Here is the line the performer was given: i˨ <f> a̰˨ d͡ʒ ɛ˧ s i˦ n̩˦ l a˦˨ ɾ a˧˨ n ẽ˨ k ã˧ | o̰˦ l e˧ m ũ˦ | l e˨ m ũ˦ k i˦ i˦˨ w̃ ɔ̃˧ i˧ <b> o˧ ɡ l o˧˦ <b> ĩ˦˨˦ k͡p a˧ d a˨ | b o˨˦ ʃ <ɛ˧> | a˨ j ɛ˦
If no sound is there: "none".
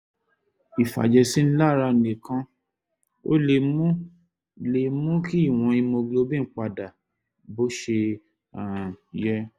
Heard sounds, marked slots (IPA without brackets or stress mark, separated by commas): f, m, b, e˧